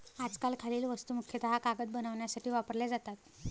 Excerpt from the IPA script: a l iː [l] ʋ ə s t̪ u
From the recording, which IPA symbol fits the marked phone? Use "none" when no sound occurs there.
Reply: l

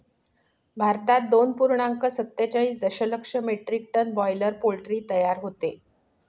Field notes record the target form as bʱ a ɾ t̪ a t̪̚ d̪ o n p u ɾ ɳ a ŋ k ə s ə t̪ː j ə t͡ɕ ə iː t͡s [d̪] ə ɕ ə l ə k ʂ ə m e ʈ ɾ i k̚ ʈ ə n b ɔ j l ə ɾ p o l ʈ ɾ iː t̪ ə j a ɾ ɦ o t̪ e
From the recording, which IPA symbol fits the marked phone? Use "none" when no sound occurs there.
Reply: d̪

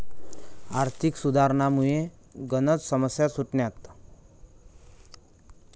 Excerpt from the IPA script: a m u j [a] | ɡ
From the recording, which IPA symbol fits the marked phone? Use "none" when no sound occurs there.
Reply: e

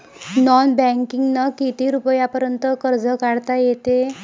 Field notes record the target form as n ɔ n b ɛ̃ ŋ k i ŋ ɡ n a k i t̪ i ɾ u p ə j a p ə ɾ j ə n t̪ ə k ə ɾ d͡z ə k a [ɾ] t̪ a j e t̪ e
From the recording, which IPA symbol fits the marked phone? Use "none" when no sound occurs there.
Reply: ɽ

